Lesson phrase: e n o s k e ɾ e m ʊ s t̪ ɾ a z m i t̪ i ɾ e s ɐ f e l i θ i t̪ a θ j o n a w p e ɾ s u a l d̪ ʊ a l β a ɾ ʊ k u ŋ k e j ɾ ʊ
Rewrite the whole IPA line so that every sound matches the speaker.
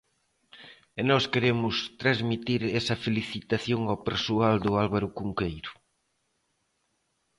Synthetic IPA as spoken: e n ɔ s k e ɾ e m ʊ s t̪ ɾ a z m i t̪ i ɾ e s ɐ f e l i θ i t̪ a θ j o ŋ a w p e ɾ s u a l d̪ ʊ a l β a ɾ ʊ k u ŋ k e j ɾ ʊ

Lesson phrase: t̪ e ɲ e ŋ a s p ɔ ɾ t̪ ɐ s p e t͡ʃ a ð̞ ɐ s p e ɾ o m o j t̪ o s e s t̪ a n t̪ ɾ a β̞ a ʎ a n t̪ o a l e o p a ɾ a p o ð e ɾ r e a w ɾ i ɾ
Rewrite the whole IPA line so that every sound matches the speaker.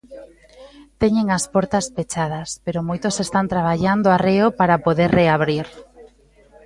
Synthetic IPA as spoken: t̪ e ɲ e ŋ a s p ɔ ɾ t̪ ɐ s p e t͡ʃ a ð̞ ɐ s p e ɾ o m o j t̪ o s e s t̪ a n t̪ ɾ a β̞ a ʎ a n d̪ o a r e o p a ɾ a p o ð e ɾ r e a β ɾ i ɾ

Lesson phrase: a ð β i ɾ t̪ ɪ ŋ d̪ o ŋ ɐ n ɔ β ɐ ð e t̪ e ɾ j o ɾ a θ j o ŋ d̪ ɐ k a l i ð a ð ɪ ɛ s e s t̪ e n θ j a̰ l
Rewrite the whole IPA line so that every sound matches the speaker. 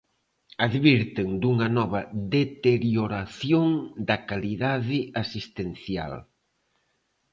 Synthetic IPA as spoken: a ð β i ɾ t̪ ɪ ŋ d̪ u ŋ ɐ n ɔ β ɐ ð e t̪ e ɾ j o ɾ a θ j o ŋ d̪ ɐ k a l i ð a ð ɪ a s i s t̪ e n θ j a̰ l

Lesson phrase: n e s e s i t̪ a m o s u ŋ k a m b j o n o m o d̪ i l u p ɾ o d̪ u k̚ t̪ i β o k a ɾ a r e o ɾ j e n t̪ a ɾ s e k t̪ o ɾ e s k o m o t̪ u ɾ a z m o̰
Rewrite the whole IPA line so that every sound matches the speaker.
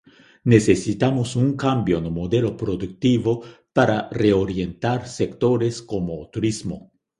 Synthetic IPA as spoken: n e s e s i t̪ a m o s u ŋ k a m b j o n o m o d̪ e l o p ɾ o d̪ u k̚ t̪ i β o p a ɾ a r e o ɾ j e n t̪ a ɾ s e k t̪ o ɾ e s k o m o t̪ u ɾ i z m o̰

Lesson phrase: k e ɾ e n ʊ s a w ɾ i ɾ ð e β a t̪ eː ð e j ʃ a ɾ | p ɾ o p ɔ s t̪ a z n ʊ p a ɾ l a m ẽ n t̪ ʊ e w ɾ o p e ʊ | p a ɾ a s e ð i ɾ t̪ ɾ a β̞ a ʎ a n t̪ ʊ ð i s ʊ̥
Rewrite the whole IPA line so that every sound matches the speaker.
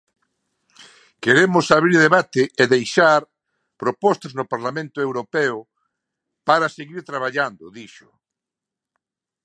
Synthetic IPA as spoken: k e ɾ e m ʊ s a β ɾ i ɾ ð e β a t̪ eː ð e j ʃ a ɾ | p ɾ o p ɔ s t̪ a z n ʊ p a ɾ l a m ẽ n t̪ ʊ e w ɾ o p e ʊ | p a ɾ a s e ɣ i ɾ t̪ ɾ a β̞ a ʎ a n d̪ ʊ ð i ʃ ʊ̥

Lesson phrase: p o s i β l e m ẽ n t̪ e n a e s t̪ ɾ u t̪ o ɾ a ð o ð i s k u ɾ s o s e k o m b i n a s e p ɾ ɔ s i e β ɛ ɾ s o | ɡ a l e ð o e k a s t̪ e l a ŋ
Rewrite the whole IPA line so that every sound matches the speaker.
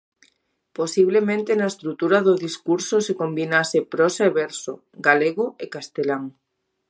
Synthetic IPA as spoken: p o s i β l e m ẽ n t̪ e n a e s t̪ ɾ u t̪ u ɾ a ð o ð i s k u ɾ s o s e k o m b i n a s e p ɾ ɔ s a e β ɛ ɾ s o | ɡ a l e ɣ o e k a s t̪ e l a ŋ

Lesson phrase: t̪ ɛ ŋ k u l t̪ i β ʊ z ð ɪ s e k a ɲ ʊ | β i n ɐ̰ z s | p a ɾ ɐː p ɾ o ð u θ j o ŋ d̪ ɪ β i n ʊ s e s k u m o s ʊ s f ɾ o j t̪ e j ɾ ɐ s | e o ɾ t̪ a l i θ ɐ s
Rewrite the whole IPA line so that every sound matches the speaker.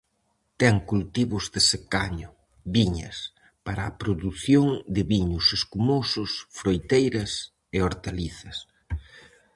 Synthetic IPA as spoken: t̪ ɛ ŋ k u l t̪ i β ʊ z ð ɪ s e k a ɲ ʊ | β i ɲ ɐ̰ s | p a ɾ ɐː p ɾ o ð u θ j o ŋ d̪ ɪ β i ɲ ʊ s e s k u m o s ʊ s f ɾ o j t̪ e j ɾ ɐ s | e o ɾ t̪ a l i θ ɐ s

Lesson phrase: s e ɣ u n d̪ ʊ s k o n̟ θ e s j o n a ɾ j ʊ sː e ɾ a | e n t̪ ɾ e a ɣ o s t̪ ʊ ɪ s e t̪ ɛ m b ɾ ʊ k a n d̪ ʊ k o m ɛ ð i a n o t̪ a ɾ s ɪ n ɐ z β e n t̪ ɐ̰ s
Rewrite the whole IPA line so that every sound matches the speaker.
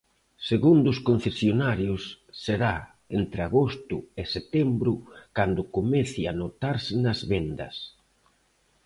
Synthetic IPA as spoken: s e ɣ u n d̪ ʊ s k o n̟ θ e s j o n a ɾ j ʊ sː e ɾ a | e n t̪ ɾ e a ɣ o s t̪ ʊ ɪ s e t̪ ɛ m b ɾ ʊ k a n d̪ ʊ k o m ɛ θ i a n o t̪ a ɾ s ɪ n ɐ z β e n d̪ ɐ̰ s

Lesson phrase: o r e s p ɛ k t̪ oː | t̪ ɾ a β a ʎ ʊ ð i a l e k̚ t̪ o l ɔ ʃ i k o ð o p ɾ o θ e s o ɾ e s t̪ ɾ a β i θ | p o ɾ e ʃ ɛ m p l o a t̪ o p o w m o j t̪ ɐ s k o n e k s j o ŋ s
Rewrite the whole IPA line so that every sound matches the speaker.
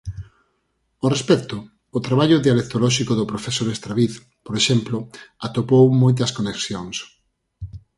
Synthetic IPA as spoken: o r e s p ɛ k t̪ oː | t̪ ɾ a β a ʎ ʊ ð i a l e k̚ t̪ o l ɔ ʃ i k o ð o p ɾ o f e s o ɾ e s t̪ ɾ a β i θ | p o ɾ e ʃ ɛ m p l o a t̪ o p o w m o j t̪ ɐ s k o n e k s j o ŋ s

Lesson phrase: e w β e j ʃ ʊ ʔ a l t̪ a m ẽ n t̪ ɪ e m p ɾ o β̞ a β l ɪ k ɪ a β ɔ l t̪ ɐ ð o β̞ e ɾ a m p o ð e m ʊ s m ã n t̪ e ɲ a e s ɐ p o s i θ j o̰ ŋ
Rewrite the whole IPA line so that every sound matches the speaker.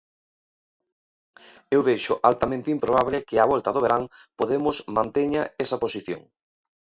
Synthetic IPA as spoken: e w β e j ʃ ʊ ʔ a l t̪ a m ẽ n t̪ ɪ i m p ɾ o β̞ a β l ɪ k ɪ a β ɔ l t̪ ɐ ð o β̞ e ɾ a ŋ p o ð e m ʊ s m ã n t̪ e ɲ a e s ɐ p o s i θ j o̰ ŋ

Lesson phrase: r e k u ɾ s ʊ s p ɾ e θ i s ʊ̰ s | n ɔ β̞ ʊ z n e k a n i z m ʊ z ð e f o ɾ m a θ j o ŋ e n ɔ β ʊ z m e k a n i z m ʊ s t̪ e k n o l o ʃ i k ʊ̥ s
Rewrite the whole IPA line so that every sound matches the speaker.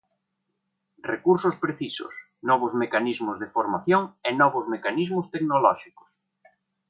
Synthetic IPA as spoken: r e k u ɾ s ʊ s p ɾ e θ i s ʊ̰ s | n ɔ β̞ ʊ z m e k a n i z m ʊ z ð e f o ɾ m a θ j o ŋ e n ɔ β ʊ z m e k a n i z m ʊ s t̪ e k n o l ɔ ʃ i k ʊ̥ s

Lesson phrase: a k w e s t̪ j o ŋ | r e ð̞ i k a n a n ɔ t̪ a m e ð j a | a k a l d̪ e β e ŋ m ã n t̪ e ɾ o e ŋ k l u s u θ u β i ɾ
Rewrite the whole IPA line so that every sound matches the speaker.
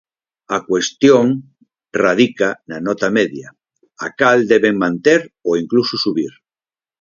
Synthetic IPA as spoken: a k w e s t̪ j o ŋ | r a ð̞ i k a n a n ɔ t̪ a m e ð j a | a k a l d̪ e β e ŋ m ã n t̪ e ɾ o i ŋ k l u s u s u β i ɾ

